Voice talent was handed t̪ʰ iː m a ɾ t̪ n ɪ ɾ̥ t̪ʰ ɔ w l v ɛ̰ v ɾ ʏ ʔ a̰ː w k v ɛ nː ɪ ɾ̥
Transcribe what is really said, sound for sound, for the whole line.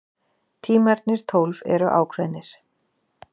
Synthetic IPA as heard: t̪ʰ iː m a ɾ t̪ n ɪ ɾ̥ t̪ʰ o w l v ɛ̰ ɾ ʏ ʔ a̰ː w kʰ v ɛ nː ɪ ɾ̥